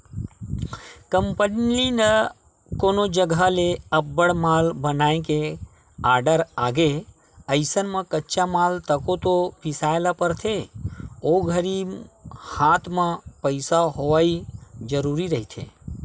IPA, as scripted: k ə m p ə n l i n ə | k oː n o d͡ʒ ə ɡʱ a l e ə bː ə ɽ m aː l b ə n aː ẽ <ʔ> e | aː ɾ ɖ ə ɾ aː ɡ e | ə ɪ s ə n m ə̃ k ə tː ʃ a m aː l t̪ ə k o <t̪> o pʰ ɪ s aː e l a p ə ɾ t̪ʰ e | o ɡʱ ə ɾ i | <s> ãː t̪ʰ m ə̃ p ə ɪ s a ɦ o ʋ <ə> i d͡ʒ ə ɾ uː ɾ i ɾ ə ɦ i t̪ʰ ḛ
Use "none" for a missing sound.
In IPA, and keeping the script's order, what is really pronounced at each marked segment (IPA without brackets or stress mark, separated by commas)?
k, t̪, h, a